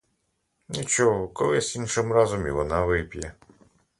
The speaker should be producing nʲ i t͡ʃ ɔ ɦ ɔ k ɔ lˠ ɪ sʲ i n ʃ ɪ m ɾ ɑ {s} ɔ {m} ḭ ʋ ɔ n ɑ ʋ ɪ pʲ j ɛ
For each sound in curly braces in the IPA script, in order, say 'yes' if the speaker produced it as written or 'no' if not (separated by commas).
no, yes